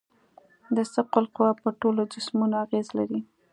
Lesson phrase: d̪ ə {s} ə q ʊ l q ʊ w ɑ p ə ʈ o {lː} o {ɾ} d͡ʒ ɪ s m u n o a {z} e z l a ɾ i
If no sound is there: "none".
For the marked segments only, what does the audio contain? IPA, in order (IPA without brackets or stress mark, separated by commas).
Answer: s, l, none, ɣ